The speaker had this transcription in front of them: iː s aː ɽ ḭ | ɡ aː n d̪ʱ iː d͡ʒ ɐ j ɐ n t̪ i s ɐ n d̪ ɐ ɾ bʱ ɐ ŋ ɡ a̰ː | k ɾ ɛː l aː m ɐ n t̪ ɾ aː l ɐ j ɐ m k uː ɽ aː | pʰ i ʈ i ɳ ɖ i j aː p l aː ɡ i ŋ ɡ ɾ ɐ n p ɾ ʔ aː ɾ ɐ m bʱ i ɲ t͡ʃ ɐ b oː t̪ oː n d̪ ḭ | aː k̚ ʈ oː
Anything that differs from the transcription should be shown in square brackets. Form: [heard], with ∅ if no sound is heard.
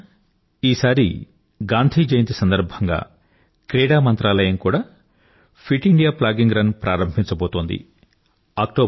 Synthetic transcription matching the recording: iː s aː [ɾ] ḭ | ɡ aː n d̪ʱ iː d͡ʒ ɐ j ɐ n t̪ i s ɐ n d̪ ɐ ɾ bʱ ɐ ŋ ɡ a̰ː | k ɾ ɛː [ɽ] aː m ɐ n t̪ ɾ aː l ɐ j ɐ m k uː ɽ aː | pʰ i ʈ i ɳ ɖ i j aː p l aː ɡ i ŋ ɡ ɾ ɐ n p ɾ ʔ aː ɾ ɐ m bʱ i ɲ t͡ʃ ɐ b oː t̪ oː n d̪ ḭ | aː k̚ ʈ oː